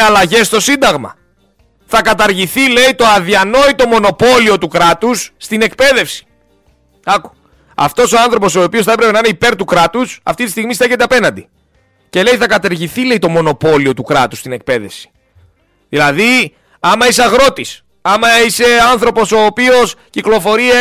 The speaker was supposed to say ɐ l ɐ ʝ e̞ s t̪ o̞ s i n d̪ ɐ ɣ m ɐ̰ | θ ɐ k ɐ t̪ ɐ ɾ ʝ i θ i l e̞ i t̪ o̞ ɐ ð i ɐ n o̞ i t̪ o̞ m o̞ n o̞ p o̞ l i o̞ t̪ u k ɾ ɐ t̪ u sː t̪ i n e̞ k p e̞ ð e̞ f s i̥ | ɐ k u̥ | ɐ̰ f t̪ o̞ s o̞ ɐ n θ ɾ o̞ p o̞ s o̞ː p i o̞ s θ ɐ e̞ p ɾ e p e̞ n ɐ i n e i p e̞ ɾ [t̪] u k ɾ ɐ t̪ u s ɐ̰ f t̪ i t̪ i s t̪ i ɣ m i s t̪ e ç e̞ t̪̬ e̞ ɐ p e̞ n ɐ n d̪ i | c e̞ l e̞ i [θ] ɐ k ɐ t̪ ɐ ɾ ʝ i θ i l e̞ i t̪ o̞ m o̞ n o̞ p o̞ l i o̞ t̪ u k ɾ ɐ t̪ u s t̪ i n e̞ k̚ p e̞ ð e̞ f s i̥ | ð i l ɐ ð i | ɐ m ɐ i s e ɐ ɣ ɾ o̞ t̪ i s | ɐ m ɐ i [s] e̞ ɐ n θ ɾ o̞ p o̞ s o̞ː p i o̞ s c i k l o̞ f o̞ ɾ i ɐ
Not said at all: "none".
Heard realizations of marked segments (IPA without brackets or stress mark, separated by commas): t̪, θ, s